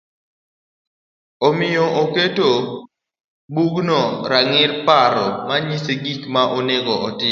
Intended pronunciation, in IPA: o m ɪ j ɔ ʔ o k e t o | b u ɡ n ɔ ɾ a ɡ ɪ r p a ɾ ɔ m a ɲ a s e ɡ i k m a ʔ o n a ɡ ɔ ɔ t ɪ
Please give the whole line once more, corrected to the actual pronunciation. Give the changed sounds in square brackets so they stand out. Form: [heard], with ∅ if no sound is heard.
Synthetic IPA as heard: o m ɪ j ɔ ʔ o k e t o | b u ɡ n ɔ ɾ a [ŋ] ɪ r p a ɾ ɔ m a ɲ [i] s e ɡ i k m a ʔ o n [e] ɡ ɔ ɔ t ɪ